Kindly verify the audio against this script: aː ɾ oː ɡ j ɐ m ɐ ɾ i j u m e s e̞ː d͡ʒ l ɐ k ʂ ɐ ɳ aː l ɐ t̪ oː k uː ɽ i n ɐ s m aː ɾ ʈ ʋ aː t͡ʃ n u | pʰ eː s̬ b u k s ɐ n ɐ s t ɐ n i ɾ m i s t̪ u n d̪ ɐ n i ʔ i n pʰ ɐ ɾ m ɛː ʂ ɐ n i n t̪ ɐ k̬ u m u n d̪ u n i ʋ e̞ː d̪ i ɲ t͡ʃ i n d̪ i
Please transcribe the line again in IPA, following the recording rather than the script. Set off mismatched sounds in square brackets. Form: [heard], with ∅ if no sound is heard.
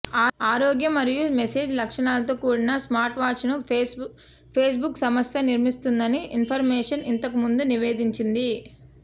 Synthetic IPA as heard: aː ɾ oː ɡ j ɐ m ɐ ɾ i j u m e s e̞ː d͡ʒ l ɐ k ʂ ɐ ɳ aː l ɐ t̪ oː k uː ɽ i n ɐ s m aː ɾ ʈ ʋ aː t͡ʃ n u | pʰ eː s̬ b u k s ɐ [m] ɐ s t ɐ n i ɾ m i s t̪ u n d̪ ɐ n i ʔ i n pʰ ɐ ɾ m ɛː ʂ ɐ n i n t̪ ɐ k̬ u m u n d̪ u n i ʋ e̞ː d̪ i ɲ t͡ʃ i n d̪ i